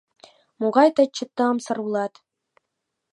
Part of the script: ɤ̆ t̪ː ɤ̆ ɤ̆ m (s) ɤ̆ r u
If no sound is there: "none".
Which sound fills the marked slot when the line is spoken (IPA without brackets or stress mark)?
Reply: s